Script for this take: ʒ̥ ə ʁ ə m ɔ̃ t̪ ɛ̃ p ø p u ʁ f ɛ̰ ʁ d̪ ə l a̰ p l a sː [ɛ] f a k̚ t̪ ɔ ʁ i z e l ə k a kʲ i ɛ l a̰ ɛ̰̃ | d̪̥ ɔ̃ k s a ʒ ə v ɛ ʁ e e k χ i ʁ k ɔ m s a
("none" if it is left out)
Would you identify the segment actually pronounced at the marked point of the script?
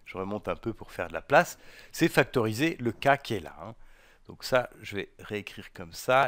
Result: ɛ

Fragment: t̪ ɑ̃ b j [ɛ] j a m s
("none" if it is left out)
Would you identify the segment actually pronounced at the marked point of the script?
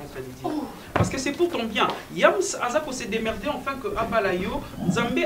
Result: ɛ̃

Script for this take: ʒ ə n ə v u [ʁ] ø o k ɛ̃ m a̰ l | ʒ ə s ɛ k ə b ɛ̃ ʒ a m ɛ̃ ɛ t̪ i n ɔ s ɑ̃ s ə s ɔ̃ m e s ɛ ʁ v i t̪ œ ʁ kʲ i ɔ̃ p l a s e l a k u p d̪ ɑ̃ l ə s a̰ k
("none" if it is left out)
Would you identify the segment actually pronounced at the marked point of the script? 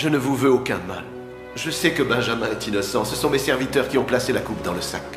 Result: v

